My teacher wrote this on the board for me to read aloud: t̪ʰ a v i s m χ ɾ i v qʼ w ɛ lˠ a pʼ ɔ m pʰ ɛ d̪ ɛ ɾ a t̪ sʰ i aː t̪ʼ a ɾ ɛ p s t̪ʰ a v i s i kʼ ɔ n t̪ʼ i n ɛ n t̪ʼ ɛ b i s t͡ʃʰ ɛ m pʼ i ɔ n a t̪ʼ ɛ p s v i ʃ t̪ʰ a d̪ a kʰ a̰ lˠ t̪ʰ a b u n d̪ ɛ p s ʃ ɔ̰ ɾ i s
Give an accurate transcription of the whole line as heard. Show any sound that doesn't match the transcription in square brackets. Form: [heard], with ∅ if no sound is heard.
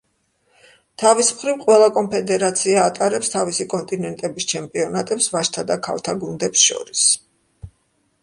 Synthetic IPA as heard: t̪ʰ a v i s m χ ɾ i v qʼ w ɛ lˠ a [kʼ] ɔ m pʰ ɛ d̪ ɛ ɾ a t̪ sʰ i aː t̪ʼ a ɾ ɛ p s t̪ʰ a v i s i kʼ ɔ n t̪ʼ i n ɛ n t̪ʼ ɛ b i s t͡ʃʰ ɛ m pʼ i ɔ n a t̪ʼ ɛ p s v [a] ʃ t̪ʰ a d̪ a kʰ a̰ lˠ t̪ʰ a [ɡ] u n d̪ ɛ p s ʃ ɔ̰ ɾ i s